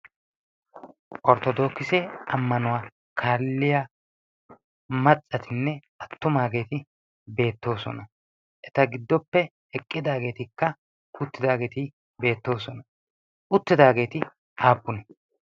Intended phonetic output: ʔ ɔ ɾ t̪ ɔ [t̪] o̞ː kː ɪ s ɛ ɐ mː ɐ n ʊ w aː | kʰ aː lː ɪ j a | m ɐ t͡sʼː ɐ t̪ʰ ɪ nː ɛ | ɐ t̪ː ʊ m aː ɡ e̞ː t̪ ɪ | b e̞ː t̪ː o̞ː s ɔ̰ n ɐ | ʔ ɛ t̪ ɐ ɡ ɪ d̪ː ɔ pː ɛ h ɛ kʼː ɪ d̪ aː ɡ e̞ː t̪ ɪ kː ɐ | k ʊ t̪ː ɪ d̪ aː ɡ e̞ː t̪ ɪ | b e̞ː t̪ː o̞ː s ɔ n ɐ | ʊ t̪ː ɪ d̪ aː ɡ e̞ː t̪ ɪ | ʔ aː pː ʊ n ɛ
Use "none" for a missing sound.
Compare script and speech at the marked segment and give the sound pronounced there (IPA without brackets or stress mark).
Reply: d̪